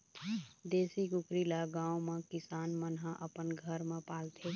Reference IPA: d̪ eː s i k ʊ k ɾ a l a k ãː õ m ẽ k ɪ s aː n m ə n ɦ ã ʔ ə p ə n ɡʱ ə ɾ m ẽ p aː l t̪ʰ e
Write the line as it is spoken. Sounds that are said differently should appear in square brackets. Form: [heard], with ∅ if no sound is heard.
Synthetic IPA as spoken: d̪ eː s i k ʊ k ɾ [i] l a [ɡ] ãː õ m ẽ k ɪ s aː n m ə n ɦ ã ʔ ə p ə n ɡʱ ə ɾ m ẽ p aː l t̪ʰ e